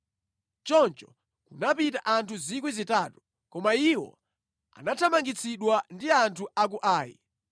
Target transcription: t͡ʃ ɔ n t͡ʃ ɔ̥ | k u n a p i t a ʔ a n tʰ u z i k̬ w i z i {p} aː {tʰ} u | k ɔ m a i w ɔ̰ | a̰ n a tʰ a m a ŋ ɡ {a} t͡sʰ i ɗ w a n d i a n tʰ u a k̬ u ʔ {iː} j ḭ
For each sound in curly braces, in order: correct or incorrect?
incorrect: t, incorrect: t, incorrect: i, incorrect: aː

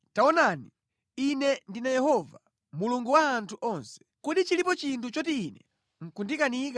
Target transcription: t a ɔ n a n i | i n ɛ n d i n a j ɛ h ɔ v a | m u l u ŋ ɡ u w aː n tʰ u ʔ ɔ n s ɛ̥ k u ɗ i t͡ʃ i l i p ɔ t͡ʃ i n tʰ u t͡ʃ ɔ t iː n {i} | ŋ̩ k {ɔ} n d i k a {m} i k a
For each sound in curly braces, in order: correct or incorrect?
incorrect: ɛ, incorrect: u, incorrect: n

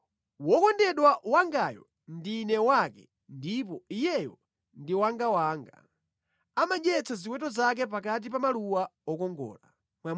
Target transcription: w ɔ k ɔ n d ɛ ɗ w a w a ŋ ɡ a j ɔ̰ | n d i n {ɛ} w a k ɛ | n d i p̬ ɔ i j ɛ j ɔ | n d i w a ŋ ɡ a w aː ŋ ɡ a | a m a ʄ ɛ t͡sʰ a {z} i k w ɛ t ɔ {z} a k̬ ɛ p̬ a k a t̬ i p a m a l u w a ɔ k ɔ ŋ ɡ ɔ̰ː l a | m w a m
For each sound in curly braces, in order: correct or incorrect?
correct, correct, correct

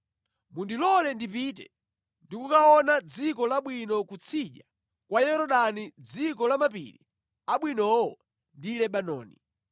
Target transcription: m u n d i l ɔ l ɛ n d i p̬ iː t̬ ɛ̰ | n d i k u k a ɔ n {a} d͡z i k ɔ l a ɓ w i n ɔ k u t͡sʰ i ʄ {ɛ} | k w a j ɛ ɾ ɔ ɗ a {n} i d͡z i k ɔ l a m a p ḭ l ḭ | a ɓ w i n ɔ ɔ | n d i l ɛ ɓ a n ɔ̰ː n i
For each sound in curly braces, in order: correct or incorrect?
correct, incorrect: a, correct

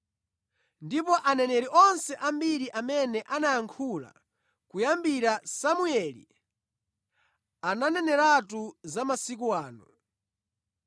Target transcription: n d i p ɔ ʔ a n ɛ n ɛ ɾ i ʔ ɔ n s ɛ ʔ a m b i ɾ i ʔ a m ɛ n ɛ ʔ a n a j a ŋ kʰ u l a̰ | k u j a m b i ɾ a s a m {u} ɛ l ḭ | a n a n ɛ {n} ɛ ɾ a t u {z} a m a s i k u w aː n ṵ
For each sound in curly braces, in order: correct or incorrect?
correct, correct, correct

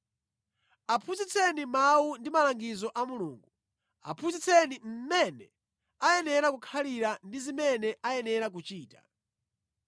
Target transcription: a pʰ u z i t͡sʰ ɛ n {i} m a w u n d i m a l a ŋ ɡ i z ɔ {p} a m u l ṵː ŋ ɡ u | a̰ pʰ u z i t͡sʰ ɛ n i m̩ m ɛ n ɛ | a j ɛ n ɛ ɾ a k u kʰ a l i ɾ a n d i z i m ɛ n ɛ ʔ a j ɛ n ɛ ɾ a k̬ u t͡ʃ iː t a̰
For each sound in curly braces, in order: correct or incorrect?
correct, incorrect: ʔ

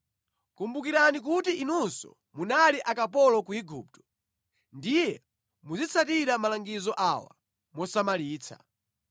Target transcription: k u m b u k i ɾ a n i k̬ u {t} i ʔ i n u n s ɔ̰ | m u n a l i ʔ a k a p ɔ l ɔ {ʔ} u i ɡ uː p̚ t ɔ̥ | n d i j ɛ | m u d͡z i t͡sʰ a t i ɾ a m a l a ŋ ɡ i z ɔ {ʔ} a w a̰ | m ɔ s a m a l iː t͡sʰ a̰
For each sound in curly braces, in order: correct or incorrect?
correct, incorrect: k, correct

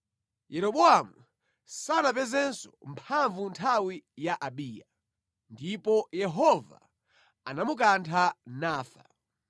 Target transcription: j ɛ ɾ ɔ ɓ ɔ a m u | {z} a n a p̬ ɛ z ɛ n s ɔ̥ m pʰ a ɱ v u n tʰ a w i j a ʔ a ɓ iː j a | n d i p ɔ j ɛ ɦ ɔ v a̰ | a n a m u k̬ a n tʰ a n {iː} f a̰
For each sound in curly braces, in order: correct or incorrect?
incorrect: s, incorrect: aː

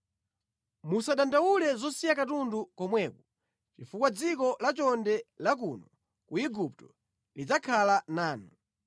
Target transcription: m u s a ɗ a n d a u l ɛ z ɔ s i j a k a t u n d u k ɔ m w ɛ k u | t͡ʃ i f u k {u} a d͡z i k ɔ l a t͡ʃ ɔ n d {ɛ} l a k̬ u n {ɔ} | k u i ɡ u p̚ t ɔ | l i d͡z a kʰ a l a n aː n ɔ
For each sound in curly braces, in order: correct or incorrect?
incorrect: w, correct, correct

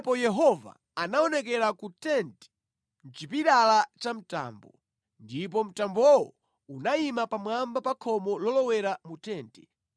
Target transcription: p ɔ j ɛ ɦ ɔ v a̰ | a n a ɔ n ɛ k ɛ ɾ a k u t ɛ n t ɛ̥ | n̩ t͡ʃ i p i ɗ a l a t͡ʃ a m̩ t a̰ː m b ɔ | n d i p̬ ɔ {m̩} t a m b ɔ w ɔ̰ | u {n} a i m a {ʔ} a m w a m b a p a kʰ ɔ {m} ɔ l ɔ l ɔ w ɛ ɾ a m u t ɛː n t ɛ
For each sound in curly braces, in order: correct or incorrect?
correct, correct, incorrect: p, correct

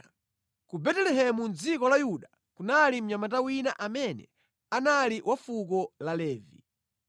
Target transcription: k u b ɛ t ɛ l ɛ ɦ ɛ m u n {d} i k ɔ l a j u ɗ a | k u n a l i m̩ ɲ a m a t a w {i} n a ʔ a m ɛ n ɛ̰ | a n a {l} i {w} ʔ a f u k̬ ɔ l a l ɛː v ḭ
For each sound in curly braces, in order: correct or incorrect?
incorrect: d͡z, correct, correct, correct

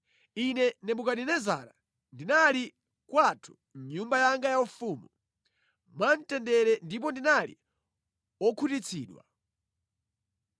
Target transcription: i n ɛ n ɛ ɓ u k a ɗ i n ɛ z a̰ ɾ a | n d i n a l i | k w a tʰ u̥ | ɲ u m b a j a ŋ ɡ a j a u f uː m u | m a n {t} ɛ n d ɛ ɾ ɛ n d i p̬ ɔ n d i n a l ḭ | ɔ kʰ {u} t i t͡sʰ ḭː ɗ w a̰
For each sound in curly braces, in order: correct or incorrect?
correct, correct

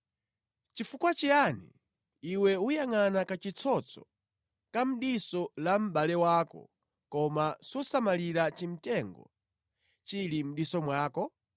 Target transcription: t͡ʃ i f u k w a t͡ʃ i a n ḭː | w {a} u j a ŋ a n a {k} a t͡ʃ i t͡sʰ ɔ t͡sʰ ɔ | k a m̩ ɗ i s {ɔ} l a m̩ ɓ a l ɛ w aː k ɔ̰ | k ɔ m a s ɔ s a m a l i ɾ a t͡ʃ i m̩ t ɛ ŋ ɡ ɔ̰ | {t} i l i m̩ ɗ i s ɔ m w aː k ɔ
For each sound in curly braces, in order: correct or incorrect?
incorrect: ɛ, correct, correct, incorrect: t͡ʃ

